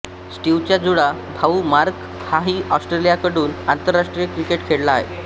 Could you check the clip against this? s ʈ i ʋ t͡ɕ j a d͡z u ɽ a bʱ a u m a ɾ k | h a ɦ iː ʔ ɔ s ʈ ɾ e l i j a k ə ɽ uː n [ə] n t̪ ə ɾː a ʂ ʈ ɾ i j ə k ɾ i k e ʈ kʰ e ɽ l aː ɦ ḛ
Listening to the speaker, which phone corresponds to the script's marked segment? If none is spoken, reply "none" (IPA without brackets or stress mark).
a